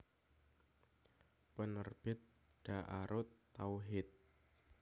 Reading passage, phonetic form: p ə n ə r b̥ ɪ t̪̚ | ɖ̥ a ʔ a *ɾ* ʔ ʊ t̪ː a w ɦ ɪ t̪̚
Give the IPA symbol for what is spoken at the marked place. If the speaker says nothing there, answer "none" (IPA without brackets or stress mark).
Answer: ɾ